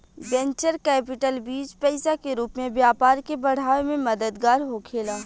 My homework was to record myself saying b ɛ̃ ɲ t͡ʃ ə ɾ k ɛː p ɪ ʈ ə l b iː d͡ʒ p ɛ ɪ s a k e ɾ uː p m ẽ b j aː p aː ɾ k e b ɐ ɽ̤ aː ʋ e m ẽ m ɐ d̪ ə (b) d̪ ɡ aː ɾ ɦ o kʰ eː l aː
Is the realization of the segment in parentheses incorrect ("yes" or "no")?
yes